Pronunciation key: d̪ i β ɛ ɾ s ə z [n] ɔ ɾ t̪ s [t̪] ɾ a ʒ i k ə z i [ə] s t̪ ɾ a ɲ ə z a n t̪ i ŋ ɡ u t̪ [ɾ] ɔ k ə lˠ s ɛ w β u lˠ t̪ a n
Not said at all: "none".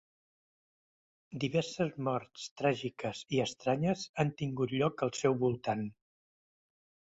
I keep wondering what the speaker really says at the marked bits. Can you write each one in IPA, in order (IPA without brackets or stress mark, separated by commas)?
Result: m, t̪, ə, ʎ